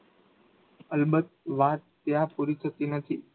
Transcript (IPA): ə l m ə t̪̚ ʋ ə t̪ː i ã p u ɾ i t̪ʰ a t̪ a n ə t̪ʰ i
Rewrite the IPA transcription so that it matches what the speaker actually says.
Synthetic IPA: ə l b ə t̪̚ ʋ a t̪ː j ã p u ɾ i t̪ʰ ə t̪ i n ə t̪ʰ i